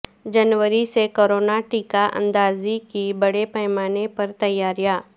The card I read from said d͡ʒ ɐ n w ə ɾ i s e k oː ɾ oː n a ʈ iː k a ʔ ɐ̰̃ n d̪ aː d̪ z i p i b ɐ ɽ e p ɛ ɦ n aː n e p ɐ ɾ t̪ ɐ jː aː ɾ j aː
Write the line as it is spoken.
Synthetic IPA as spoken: d͡ʒ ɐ n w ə ɾ i s e k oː ɾ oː n a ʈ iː k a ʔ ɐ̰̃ n d̪ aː z i k i b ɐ ɽ e p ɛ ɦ m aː n e p ɐ ɾ t̪ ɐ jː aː ɾ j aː